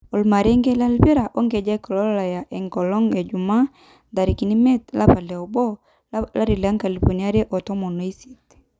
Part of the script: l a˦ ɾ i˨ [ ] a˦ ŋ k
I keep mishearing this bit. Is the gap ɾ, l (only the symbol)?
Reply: l